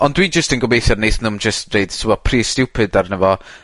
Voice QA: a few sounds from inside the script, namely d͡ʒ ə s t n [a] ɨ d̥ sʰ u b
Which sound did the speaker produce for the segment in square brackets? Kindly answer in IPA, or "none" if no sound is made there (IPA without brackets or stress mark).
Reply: e